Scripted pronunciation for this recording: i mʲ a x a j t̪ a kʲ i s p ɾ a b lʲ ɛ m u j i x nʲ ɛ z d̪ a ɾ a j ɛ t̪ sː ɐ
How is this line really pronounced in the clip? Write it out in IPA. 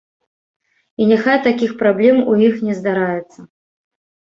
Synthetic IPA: i nʲ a x a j t̪ a kʲ i x p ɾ a b lʲ ɛ m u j i x nʲ ɛ z d̪ a ɾ a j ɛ t̪ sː ɐ